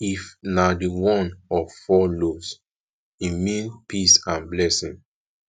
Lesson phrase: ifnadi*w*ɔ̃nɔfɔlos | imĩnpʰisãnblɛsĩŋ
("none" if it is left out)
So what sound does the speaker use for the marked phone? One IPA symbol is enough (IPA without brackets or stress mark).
w